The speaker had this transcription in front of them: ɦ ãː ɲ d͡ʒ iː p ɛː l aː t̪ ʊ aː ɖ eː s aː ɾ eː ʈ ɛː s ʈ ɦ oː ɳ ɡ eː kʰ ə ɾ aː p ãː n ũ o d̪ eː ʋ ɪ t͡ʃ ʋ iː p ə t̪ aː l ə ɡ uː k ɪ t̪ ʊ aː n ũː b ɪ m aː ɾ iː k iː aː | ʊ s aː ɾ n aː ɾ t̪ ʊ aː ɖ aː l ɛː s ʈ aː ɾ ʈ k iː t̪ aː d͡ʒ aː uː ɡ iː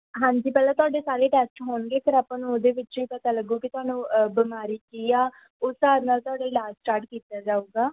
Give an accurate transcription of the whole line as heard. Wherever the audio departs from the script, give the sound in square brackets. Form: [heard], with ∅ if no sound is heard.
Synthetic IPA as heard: ɦ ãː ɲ d͡ʒ iː p ɛː l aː t̪ ʊ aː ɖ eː s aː ɾ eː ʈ ɛː s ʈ ɦ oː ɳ ɡ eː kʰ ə ɾ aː p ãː n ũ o d̪ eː ʋ ɪ t͡ʃ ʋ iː p ə t̪ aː l ə ɡ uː k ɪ t̪ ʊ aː n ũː b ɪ m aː ɾ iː k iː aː | ʊ s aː ɾ n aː [l] t̪ ʊ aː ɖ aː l [aː] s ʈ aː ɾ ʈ k iː t̪ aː d͡ʒ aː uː ɡ [aː]